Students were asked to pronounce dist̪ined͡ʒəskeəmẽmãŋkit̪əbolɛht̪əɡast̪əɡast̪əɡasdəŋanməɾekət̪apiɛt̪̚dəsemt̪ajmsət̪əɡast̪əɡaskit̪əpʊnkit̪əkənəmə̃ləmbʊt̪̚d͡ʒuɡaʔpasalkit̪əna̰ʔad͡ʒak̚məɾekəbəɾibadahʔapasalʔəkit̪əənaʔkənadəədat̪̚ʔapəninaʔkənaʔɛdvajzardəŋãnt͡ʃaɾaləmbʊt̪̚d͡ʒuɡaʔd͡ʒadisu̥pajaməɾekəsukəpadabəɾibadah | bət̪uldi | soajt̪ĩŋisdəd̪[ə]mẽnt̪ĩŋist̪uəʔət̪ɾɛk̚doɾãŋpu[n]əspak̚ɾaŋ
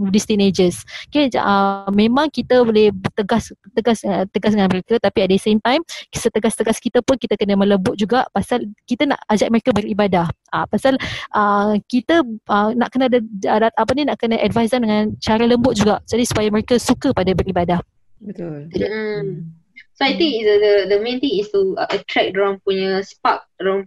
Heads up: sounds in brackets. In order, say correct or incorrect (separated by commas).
correct, incorrect